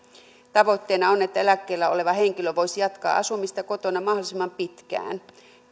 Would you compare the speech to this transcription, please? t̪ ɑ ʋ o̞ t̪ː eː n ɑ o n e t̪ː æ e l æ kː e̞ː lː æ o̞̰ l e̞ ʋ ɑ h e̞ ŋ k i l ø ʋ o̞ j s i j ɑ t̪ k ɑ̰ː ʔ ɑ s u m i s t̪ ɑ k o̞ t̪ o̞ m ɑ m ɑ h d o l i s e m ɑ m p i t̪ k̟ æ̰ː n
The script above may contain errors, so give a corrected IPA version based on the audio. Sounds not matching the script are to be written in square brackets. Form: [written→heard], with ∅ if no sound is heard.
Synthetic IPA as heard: t̪ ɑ ʋ o̞ t̪ː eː n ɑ o n e t̪ː æ e l æ kː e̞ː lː æ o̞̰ l e̞ ʋ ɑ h e̞ ŋ k i l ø ʋ o̞ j s i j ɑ t̪ k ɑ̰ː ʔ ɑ s u m i s t̪ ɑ k o̞ t̪ o̞ [m→n] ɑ m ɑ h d o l i s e m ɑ m p i t̪ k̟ æ̰ː n